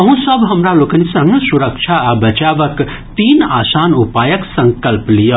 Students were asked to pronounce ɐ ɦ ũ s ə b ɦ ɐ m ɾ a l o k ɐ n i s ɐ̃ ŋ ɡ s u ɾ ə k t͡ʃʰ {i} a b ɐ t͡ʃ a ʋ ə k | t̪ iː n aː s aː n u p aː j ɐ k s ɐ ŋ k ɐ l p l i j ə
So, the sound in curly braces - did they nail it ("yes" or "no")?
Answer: no